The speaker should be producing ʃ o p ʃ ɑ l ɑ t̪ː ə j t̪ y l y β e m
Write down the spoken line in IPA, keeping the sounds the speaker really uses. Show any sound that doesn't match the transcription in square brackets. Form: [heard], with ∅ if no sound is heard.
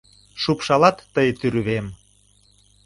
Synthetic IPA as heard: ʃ [u] p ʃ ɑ l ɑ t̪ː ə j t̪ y [ɾ] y β e m